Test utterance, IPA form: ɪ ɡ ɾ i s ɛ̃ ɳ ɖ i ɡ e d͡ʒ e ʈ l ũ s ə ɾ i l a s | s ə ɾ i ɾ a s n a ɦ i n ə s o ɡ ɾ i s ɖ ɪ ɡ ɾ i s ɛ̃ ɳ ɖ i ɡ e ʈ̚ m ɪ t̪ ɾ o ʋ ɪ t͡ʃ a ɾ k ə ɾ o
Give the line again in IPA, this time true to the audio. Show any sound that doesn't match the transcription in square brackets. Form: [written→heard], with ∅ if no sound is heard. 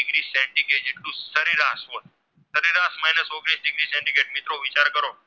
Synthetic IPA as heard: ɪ ɡ ɾ i s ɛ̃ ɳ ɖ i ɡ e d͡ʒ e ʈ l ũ s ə ɾ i [l→ɾ] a s | s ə ɾ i ɾ a s [n→m] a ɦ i n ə s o ɡ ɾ i s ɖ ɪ ɡ ɾ i s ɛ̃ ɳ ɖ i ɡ e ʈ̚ m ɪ t̪ ɾ o ʋ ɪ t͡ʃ a ɾ k ə ɾ o